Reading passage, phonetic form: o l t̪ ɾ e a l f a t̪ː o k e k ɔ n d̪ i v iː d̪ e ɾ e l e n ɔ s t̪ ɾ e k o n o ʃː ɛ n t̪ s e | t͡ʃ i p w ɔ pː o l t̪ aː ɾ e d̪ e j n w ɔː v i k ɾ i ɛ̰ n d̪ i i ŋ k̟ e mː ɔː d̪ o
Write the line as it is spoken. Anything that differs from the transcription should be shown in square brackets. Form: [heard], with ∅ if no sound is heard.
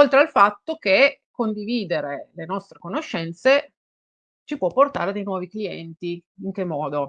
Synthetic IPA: o l t̪ ɾ e a l f a t̪ː o k e k [o] n d̪ i v iː d̪ e ɾ e l e n ɔ s t̪ ɾ e k o n o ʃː ɛ n t̪ s e | t͡ʃ i p w ɔ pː o [r] t̪ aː ɾ e d̪ e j n w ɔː v i k [l] i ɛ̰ n [t̪] i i ŋ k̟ e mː ɔː d̪ o